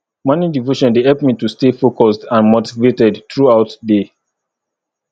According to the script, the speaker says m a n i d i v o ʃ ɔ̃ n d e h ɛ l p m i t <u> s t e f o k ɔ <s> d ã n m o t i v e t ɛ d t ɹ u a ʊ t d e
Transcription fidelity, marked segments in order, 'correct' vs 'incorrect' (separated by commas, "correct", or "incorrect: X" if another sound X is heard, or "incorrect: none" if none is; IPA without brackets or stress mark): correct, correct